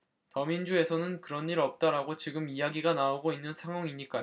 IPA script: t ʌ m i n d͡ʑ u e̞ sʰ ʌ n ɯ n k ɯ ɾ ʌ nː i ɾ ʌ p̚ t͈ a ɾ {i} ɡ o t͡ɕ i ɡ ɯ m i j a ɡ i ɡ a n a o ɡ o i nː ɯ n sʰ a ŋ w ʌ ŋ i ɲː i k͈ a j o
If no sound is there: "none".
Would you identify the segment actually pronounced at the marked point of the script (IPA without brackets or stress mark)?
a